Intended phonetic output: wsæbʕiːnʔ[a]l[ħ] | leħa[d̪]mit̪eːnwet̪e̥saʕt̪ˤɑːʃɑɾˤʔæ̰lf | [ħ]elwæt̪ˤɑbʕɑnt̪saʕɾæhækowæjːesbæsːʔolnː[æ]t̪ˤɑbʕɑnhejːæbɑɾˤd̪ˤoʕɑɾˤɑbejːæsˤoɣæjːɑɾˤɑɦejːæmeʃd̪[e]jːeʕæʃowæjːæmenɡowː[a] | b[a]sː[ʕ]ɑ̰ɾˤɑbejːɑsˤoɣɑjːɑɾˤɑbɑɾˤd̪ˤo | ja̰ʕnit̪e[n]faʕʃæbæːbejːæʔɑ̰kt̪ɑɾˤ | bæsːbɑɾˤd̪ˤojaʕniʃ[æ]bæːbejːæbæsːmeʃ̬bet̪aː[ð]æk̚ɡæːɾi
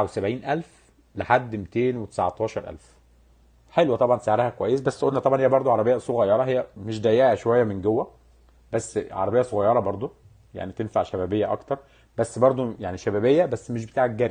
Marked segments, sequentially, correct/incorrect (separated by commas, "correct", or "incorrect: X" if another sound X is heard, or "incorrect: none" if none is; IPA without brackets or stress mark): incorrect: æ, incorrect: f, incorrect: d̪ː, correct, correct, incorrect: æ, incorrect: æ, incorrect: æ, correct, correct, correct, incorrect: ʕ